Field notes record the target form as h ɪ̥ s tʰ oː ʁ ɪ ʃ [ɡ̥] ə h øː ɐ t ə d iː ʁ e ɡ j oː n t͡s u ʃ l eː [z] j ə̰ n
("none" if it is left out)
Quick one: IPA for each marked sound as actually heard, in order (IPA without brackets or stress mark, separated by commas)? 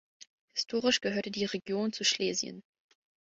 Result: ɡ̥, z